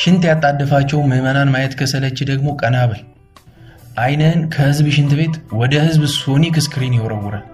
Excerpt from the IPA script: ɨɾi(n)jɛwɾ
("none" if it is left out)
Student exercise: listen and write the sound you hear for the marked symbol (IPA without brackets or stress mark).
n